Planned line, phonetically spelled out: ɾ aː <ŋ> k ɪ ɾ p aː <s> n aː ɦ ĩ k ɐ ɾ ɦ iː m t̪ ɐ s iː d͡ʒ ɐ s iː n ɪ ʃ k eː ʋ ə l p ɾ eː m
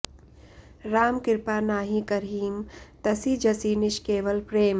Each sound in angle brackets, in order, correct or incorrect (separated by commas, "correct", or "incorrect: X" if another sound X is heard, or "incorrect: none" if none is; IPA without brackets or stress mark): incorrect: m, incorrect: none